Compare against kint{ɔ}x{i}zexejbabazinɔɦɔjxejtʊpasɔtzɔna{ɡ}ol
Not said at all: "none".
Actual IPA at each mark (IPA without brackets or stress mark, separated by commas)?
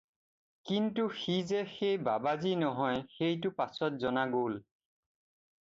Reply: u, i, ɡ